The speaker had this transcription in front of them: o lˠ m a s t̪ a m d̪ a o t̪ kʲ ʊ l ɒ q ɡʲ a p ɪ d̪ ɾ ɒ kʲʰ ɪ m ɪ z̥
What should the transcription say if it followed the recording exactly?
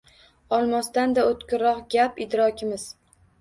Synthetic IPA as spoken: ɒ lˠ m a s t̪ a n d̪ a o t̪ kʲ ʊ ɾ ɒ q ɡʲ a p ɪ d̪ ɾ ɒ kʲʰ ɪ m ɪ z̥